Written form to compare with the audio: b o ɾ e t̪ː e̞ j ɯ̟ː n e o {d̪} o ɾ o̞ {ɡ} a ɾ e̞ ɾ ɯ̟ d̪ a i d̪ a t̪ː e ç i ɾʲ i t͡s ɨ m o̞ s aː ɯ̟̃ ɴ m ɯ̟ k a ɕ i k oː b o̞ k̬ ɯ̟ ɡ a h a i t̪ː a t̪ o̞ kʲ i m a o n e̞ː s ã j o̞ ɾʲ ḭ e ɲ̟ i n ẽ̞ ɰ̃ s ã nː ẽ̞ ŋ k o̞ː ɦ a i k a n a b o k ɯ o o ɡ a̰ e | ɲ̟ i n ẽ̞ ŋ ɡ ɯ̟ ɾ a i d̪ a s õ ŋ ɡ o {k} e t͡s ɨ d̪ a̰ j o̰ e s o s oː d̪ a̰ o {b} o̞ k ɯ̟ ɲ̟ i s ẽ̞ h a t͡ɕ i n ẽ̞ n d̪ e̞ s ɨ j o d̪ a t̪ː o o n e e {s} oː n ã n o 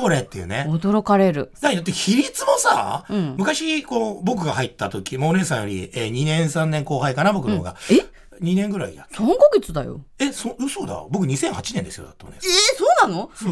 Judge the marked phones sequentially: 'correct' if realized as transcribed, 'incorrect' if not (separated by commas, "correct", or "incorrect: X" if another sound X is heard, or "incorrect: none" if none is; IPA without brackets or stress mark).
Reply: correct, incorrect: k, incorrect: ɡ, correct, correct